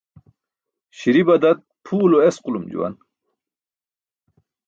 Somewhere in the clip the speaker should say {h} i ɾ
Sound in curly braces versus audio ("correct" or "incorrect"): incorrect